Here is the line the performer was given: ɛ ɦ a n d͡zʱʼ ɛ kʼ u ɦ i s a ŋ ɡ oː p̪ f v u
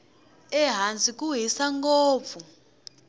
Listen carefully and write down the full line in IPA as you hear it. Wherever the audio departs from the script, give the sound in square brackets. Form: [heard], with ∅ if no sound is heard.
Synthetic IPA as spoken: ɛ ɦ a n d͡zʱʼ [i] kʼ u ɦ i s a ŋ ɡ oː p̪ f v u